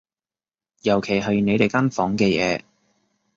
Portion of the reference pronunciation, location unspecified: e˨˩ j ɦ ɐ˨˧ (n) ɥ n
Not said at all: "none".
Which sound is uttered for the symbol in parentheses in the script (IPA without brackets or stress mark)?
none